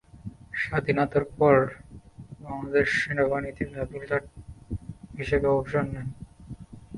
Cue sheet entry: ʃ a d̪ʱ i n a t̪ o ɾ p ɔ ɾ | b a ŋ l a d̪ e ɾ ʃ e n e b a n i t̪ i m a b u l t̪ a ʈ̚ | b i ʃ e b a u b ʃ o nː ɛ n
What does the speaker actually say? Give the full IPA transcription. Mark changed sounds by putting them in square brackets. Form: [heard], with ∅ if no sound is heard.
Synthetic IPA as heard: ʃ a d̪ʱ i n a t̪ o ɾ p ɔ ɾ | b a ŋ l a d̪ e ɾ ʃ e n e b a n i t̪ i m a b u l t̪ a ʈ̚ | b i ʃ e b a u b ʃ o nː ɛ n